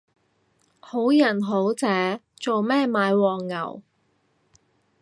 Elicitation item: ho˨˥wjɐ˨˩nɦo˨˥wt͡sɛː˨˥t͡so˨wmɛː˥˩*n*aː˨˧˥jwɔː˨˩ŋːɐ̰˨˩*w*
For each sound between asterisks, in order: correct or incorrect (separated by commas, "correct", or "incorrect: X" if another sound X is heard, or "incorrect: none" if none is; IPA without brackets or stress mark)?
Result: incorrect: m, correct